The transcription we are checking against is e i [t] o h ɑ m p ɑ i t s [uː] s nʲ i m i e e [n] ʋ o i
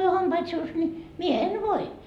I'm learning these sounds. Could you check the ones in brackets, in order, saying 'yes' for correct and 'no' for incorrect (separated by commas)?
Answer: no, yes, yes